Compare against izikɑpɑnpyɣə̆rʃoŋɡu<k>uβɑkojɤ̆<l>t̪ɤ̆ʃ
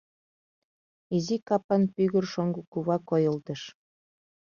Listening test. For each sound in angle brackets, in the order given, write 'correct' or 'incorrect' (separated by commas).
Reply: correct, correct